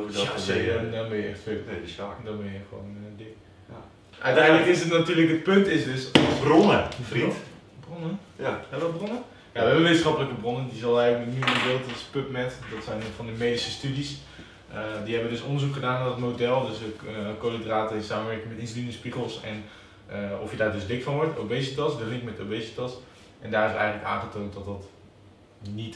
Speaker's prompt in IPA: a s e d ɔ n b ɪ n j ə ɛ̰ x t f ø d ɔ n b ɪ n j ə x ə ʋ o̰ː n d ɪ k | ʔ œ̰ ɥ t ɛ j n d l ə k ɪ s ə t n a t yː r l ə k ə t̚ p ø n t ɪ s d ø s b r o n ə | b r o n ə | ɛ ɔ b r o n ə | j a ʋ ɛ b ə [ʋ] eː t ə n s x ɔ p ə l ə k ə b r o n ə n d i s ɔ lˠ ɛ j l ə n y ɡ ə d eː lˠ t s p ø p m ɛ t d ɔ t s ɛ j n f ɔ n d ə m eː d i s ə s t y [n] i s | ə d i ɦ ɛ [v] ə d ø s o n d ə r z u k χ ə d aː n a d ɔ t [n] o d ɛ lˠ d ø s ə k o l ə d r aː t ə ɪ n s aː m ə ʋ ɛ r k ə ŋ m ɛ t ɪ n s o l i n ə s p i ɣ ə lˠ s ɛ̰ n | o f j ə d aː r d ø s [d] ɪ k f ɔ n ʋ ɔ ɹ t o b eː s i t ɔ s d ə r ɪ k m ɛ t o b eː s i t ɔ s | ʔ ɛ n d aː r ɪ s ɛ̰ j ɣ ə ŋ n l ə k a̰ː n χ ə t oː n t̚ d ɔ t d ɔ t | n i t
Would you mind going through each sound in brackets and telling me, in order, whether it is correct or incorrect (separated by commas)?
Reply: correct, incorrect, incorrect, incorrect, correct